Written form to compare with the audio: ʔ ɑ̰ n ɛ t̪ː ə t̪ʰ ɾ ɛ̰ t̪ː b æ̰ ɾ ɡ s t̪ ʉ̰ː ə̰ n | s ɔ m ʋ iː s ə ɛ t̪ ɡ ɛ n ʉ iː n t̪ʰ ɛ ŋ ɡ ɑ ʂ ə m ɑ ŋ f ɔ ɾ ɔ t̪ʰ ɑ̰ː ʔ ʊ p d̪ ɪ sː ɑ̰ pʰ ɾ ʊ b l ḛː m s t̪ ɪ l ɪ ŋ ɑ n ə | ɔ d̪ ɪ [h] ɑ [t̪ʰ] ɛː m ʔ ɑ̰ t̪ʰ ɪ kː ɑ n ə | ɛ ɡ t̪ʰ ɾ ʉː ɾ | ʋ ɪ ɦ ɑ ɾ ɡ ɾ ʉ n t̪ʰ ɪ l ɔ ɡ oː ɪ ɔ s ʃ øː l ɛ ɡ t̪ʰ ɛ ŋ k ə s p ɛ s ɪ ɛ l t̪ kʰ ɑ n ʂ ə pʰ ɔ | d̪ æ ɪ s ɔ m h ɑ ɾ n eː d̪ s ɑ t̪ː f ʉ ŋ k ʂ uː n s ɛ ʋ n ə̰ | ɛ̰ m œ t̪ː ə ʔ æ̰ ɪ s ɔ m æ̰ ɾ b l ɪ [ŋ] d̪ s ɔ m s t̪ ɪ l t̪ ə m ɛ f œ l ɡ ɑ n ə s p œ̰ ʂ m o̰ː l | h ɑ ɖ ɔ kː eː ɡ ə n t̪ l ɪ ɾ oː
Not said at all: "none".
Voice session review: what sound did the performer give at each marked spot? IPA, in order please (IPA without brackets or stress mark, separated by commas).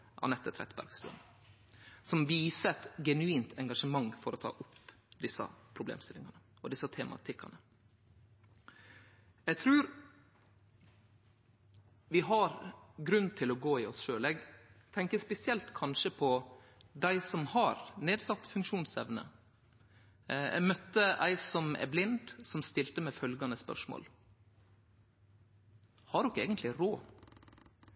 s, t̪ʰ, n